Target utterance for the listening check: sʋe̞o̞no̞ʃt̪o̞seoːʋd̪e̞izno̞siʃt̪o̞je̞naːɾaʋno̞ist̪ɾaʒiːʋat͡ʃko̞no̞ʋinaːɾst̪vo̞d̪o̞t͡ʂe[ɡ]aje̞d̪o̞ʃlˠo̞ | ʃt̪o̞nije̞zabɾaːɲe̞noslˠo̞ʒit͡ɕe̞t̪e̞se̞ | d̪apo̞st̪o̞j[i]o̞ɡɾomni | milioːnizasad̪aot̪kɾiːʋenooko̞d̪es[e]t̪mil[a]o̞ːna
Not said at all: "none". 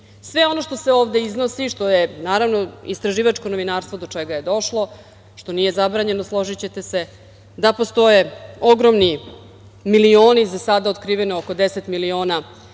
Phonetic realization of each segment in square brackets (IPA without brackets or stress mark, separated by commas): ɡ, e, e, i